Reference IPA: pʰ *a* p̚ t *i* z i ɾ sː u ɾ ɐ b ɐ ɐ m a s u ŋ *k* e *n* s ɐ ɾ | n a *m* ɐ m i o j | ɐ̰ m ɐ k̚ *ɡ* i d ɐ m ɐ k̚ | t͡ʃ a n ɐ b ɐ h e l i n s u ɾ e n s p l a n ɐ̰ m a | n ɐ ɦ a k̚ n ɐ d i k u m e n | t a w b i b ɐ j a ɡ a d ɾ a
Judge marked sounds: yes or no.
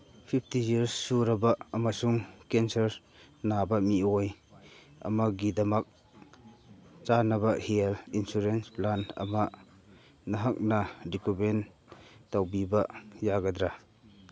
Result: no, yes, yes, yes, no, yes

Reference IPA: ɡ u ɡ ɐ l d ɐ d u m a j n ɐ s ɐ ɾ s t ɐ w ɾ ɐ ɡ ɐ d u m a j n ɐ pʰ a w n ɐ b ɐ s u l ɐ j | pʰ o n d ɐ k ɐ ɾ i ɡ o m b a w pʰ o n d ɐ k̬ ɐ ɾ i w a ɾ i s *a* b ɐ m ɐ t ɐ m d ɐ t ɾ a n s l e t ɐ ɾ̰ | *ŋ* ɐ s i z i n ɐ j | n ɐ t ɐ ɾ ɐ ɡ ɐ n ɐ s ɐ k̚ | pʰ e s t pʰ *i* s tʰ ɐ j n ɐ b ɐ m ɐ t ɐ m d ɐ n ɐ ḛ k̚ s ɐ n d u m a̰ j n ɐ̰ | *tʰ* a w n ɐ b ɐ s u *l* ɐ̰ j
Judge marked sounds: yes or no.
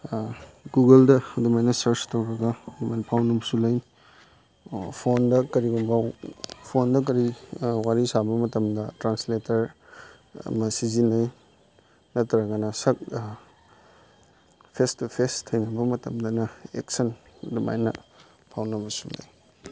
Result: yes, no, no, no, yes

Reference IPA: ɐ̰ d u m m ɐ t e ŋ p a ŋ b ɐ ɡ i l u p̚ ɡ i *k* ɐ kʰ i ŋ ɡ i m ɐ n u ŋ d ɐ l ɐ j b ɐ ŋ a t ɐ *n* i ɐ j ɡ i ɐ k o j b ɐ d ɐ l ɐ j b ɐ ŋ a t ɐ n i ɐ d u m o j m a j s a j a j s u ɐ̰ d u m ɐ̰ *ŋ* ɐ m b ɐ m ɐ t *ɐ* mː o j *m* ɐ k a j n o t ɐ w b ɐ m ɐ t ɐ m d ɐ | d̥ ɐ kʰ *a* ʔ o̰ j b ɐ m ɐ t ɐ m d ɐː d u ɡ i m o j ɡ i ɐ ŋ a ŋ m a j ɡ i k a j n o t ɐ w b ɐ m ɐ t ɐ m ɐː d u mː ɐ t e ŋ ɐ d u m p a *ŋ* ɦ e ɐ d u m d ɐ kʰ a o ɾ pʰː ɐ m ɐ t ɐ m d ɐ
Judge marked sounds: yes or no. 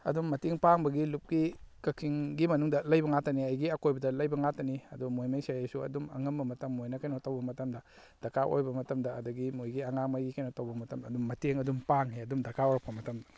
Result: yes, yes, yes, yes, no, yes, yes

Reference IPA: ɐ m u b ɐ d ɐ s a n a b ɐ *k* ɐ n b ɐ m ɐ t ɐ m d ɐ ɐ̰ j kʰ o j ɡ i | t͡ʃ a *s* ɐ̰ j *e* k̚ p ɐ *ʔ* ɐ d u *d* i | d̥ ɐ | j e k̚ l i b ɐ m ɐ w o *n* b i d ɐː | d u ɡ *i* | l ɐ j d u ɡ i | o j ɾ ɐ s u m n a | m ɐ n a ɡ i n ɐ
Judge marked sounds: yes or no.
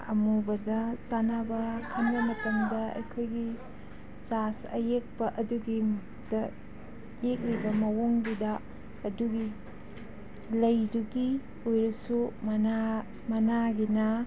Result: no, yes, yes, yes, no, no, yes

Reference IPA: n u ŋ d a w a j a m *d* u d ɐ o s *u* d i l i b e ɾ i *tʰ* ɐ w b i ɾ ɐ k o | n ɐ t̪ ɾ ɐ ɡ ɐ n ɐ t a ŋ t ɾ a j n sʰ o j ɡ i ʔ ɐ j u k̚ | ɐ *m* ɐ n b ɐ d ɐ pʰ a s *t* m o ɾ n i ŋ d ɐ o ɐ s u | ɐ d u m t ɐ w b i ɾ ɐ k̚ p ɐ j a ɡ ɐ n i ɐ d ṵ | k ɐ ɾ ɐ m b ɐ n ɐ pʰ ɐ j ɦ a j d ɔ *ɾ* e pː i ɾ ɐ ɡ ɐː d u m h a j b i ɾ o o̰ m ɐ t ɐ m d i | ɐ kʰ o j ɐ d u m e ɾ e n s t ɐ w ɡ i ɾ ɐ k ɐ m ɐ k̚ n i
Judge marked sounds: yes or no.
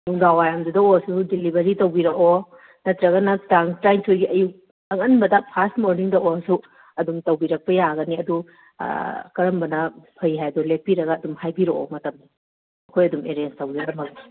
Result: yes, yes, no, no, yes, no

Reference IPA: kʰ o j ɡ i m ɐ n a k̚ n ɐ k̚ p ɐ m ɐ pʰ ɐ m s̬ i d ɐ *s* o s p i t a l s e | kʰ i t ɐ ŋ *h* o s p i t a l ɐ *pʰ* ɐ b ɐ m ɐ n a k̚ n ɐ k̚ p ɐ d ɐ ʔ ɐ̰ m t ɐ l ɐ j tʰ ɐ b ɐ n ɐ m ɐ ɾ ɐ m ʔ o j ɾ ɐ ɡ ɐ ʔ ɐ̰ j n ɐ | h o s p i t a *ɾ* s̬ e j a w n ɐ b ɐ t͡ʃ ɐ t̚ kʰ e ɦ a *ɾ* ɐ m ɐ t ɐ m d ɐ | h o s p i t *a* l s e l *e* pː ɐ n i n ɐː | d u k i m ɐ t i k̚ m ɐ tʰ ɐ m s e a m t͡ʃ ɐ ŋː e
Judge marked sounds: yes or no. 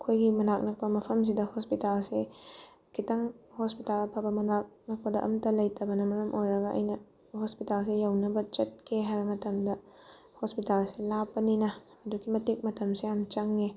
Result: no, yes, yes, no, yes, yes, no

